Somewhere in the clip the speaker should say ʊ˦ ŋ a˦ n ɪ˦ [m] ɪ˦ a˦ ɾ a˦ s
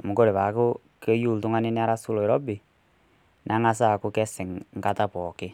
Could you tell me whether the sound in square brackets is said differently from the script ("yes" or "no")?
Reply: yes